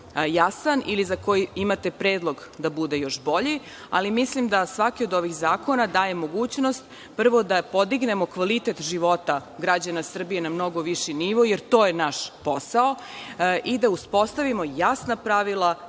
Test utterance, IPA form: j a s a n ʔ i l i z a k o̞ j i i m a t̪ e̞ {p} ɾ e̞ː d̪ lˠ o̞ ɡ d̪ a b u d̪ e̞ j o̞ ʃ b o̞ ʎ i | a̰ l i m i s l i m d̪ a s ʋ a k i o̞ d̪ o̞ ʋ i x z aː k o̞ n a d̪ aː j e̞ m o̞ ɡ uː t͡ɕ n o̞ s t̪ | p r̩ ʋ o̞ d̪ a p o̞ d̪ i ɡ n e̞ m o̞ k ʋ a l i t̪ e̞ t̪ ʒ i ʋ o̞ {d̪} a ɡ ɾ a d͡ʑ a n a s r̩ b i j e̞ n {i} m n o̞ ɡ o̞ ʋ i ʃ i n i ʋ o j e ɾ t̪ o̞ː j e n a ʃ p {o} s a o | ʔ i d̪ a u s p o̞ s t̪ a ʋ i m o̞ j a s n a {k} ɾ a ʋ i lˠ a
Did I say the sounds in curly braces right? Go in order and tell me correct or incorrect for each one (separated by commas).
correct, incorrect, incorrect, correct, incorrect